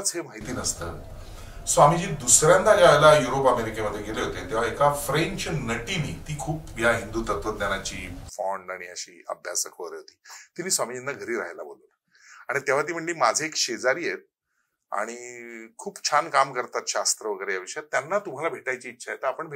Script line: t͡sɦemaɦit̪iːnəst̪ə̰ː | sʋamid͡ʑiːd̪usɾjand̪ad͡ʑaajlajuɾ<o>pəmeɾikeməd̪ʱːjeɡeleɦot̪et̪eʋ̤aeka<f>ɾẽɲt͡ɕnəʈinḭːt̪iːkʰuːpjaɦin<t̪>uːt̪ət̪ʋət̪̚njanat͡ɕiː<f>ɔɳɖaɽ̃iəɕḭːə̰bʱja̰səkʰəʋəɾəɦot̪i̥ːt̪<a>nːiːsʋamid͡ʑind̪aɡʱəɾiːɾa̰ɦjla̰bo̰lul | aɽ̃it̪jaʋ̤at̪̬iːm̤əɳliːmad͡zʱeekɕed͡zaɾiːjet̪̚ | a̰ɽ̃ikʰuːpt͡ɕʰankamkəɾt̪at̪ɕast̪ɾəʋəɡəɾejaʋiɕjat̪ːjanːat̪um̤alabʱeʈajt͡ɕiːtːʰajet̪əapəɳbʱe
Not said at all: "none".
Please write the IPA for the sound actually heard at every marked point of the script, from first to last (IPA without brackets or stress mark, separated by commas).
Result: o, f, d̪, f, i